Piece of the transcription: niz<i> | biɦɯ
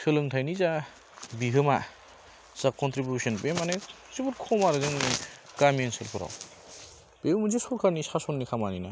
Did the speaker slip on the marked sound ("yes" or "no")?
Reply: yes